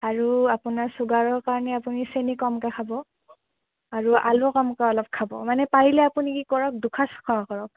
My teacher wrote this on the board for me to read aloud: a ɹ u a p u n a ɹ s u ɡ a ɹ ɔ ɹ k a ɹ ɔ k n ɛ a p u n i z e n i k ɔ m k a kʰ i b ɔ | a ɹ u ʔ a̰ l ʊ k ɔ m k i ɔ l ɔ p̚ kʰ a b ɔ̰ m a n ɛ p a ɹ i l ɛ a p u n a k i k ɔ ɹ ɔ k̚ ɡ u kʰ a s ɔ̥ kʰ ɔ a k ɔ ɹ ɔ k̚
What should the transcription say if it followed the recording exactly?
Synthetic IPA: a ɹ u a p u n a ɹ s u ɡ a ɹ ɔ ɹ k a ɹ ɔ n ɛ a p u n i s e n i k ɔ m k a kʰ a b ɔ | a ɹ u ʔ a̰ l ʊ k ɔ m k a ɔ l ɔ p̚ kʰ a b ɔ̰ m a n ɛ p a ɹ i l ɛ a p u n i k i k ɔ ɹ ɔ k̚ d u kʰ a s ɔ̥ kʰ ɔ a k ɔ ɹ ɔ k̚